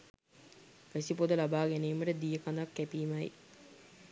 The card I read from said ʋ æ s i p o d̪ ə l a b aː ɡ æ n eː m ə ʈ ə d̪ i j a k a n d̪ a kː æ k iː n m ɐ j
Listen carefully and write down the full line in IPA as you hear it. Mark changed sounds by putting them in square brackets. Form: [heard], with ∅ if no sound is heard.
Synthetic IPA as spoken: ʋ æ s i p o d̪ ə l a b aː ɡ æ n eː m ə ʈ ə d̪ i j [ə] k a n d̪ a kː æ [p] iː [∅] m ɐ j